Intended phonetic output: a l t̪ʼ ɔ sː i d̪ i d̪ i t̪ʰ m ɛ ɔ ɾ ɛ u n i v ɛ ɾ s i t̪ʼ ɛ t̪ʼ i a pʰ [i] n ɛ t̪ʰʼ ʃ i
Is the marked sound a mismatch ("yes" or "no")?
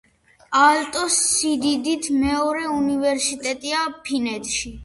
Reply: no